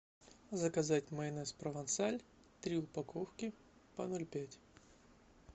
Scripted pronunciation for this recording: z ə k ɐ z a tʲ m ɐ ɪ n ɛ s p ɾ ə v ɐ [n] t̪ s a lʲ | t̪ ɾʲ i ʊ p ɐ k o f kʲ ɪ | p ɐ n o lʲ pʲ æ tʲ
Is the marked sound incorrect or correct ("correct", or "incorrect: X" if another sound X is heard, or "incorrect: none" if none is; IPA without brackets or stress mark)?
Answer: correct